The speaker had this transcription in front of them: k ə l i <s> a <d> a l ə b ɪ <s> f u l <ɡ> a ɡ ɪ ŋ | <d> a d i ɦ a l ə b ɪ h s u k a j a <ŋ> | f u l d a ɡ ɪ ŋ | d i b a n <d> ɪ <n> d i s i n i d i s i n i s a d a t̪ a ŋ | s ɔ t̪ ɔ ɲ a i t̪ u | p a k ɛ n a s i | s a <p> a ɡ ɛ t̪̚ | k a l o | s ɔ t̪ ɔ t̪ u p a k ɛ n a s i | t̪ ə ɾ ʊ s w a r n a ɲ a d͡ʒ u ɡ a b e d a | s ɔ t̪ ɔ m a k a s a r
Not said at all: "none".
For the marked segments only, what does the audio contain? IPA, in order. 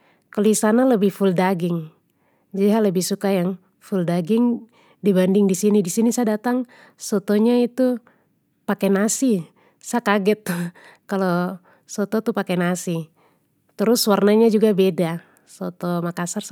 s, n, h, d, d͡ʒ, ŋ, d, ŋ, k

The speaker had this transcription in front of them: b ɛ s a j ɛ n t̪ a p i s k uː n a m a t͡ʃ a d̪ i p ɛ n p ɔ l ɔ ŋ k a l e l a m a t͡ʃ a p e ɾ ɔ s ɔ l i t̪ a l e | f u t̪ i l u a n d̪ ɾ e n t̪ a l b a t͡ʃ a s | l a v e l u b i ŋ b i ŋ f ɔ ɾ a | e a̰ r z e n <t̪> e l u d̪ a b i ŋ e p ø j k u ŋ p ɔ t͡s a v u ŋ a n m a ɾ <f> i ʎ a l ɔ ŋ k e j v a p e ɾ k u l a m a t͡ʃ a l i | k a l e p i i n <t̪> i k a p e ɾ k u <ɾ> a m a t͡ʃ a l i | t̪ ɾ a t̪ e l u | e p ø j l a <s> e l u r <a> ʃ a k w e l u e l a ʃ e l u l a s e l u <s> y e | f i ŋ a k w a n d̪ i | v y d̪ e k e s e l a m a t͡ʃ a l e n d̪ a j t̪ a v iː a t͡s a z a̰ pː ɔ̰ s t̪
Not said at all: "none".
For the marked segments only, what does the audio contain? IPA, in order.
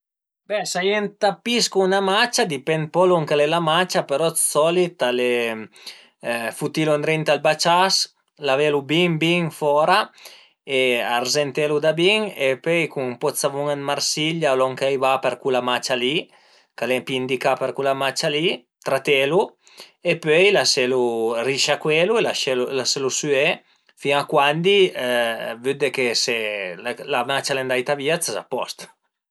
t̪, s, d̪, l, s, i, s

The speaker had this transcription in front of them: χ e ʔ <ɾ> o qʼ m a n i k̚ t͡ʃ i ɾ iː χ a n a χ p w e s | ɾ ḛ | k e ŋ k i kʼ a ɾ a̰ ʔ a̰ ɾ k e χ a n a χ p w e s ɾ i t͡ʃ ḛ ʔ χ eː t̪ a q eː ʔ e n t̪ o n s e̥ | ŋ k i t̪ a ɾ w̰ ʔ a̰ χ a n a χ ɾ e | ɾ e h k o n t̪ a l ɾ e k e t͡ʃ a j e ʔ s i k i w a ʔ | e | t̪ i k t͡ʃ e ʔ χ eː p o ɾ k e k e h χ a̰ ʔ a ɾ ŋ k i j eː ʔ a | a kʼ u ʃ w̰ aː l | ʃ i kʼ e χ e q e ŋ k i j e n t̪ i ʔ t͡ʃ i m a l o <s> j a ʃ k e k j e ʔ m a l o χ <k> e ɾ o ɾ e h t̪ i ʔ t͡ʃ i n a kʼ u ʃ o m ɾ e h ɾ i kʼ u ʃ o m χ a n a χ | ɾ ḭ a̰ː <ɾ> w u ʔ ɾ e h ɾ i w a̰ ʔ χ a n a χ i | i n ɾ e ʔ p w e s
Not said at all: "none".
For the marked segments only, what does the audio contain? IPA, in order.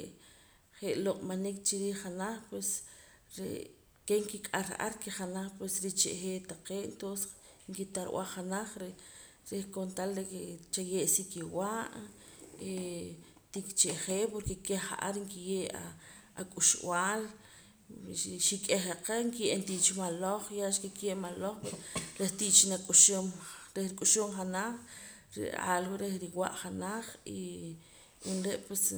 l, χ, p, l

